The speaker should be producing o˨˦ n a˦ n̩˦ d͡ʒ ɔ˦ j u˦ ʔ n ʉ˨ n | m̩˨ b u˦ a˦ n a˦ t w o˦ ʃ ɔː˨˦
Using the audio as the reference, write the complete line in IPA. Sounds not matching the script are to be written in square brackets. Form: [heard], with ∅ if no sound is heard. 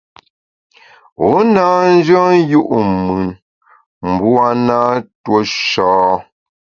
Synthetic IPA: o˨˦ n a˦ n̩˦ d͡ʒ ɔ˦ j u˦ ʔ [m] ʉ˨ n | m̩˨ b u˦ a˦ n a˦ t w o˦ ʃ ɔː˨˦